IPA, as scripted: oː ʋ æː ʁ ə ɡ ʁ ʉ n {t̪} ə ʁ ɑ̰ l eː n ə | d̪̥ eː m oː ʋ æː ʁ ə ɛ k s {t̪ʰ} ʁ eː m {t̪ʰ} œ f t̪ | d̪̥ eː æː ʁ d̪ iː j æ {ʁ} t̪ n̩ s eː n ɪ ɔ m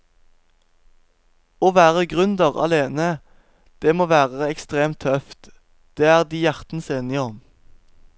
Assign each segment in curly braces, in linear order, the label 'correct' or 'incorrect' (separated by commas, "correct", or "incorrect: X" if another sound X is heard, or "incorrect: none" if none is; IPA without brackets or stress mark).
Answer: incorrect: d̪, incorrect: t̪, correct, correct